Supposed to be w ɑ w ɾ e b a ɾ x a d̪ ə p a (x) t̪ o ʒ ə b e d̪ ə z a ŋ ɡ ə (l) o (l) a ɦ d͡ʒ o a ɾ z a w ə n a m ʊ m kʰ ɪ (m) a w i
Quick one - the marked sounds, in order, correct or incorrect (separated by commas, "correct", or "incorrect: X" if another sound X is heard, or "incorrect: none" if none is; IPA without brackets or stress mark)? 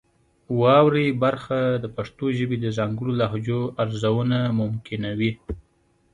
incorrect: ʂ, incorrect: ɽ, correct, incorrect: n